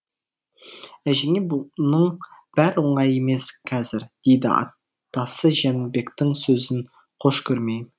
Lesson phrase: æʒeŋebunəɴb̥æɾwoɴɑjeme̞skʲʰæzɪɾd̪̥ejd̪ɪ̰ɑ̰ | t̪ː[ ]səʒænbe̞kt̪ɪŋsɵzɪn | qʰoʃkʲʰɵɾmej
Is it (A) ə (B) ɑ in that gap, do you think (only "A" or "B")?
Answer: B